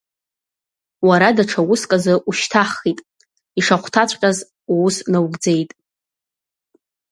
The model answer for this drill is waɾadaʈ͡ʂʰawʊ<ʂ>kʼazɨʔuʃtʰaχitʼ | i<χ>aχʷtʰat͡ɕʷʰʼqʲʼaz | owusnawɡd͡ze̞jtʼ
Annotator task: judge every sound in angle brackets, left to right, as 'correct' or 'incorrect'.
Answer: incorrect, incorrect

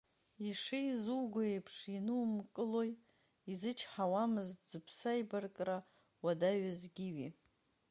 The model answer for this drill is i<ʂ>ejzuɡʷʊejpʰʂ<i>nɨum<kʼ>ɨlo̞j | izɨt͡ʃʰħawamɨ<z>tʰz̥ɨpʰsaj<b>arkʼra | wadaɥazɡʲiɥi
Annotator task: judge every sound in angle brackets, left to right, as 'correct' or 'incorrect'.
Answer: correct, correct, correct, correct, correct

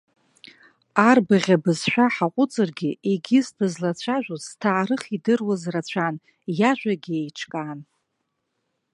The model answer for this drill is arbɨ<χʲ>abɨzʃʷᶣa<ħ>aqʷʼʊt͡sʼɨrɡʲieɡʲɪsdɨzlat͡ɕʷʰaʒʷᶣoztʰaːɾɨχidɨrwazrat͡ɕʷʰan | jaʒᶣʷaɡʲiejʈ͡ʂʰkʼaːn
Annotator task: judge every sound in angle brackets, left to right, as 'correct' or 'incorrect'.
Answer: incorrect, correct

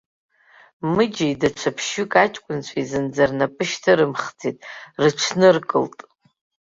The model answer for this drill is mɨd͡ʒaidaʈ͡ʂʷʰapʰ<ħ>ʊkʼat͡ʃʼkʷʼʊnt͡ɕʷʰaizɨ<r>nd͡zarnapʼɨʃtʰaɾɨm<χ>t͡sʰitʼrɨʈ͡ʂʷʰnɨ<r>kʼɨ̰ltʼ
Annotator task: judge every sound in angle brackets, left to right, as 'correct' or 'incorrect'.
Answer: incorrect, incorrect, correct, correct

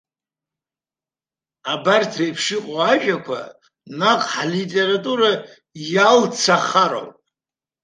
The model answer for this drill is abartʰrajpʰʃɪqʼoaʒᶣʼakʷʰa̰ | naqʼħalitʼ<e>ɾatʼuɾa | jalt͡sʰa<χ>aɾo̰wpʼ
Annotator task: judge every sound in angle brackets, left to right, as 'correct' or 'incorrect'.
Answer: correct, correct

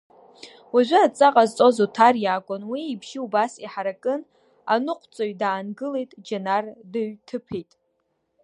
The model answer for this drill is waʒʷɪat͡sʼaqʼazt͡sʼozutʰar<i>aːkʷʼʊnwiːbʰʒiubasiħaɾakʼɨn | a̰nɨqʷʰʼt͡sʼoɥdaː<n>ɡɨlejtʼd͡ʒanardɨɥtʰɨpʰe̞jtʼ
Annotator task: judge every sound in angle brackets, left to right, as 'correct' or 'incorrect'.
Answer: incorrect, correct

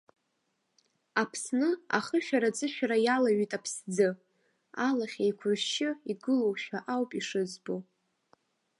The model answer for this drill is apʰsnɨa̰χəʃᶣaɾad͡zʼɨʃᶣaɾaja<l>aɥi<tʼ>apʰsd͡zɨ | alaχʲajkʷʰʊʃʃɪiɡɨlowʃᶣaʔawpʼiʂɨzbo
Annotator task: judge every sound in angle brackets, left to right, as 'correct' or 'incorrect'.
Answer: correct, correct

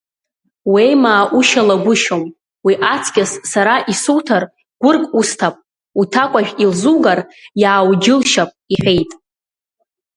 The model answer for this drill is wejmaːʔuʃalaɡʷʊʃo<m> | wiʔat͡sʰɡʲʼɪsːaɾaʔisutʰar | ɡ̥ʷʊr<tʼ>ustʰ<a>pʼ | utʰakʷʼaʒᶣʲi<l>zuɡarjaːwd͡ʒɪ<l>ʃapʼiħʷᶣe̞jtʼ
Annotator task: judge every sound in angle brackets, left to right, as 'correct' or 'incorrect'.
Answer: correct, incorrect, correct, correct, correct

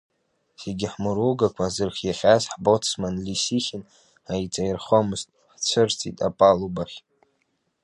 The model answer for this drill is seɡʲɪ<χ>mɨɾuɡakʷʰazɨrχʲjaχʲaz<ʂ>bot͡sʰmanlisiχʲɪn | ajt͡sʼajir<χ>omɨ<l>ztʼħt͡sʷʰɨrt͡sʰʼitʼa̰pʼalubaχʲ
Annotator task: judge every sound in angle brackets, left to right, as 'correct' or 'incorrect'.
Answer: incorrect, incorrect, correct, incorrect

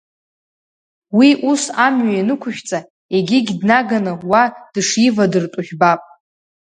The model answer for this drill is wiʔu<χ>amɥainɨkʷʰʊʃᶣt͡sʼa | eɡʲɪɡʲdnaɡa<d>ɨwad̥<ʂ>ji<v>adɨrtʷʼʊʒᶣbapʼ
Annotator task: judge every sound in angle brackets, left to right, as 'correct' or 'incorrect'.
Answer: incorrect, incorrect, correct, correct

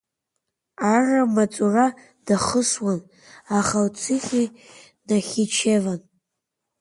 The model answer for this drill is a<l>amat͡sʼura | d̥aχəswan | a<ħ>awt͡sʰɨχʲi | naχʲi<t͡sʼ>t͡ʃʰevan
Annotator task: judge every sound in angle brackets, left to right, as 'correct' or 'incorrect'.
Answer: incorrect, incorrect, incorrect

